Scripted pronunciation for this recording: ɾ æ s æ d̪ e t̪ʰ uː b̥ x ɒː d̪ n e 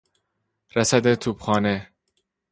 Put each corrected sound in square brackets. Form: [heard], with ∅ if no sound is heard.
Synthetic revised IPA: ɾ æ s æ d̪ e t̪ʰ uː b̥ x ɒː [∅] n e